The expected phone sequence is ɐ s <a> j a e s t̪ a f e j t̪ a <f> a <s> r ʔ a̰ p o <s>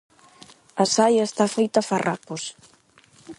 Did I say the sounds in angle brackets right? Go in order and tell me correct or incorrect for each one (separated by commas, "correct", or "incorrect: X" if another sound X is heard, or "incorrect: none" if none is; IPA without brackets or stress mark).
correct, correct, incorrect: none, correct